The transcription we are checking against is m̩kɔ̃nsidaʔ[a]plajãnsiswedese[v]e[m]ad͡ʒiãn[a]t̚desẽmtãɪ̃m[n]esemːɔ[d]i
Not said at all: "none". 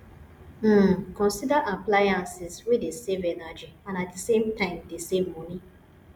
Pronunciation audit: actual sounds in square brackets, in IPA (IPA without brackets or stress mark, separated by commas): a, v, n, a, d, n